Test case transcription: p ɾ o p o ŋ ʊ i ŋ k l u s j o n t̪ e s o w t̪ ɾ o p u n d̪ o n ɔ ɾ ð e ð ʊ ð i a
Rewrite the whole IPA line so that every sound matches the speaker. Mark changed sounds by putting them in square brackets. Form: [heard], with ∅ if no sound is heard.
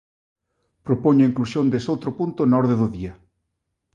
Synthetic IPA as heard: p ɾ o p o [ɲ] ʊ i ŋ k l u s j o n [d̪] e s o w t̪ ɾ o p u n [t̪] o n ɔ ɾ ð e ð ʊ ð i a